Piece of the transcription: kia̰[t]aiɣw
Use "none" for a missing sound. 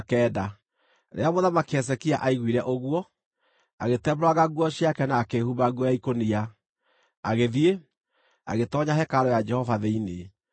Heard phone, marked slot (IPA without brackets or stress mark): ʔ